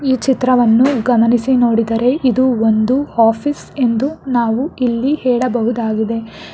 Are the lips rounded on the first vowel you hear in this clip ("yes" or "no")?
no